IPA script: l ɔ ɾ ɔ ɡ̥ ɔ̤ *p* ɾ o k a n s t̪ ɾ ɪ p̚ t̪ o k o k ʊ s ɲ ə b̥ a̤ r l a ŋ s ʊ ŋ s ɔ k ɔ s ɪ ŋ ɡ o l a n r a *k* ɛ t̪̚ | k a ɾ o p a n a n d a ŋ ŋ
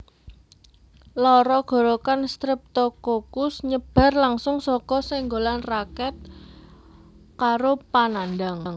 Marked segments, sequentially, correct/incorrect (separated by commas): incorrect, correct